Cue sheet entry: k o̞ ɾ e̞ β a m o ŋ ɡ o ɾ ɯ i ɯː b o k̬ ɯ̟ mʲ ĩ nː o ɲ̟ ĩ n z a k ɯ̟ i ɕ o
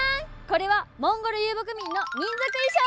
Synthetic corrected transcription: k o̞ ɾ e̞ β a m õ ŋ ɡ o ɾ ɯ j ɯː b o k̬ ɯ̟ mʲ ĩ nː o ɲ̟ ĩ n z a k ɯ̟ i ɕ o